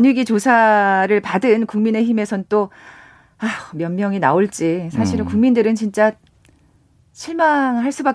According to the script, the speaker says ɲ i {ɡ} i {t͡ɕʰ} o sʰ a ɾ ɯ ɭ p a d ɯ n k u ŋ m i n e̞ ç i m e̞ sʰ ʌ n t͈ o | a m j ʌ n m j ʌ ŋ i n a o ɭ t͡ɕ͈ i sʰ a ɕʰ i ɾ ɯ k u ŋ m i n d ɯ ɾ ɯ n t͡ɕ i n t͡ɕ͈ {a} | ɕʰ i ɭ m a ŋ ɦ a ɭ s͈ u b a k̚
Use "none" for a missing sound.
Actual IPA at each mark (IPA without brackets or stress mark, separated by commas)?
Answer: ɡ, t͡ɕ, a